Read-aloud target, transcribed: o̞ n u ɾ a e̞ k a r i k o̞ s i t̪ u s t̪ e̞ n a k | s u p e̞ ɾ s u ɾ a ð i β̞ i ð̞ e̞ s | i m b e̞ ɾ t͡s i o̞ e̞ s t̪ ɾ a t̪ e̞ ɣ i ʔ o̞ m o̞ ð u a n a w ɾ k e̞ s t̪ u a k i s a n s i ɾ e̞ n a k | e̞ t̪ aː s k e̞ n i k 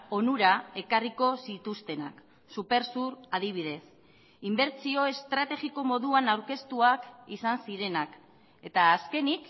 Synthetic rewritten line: o̞ n u ɾ a e̞ k a r i k o̞ s i t̪ u s t̪ e̞ n a k | s u p e̞ ɾ s u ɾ a ð i β̞ i ð̞ e̞ s | i m b e̞ ɾ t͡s i o̞ e̞ s t̪ ɾ a t̪ e̞ ɣ i k o̞ m o̞ ð u a n a w ɾ k e̞ s t̪ u a k i s a n s i ɾ e̞ n a k | e̞ t̪ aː s k e̞ n i k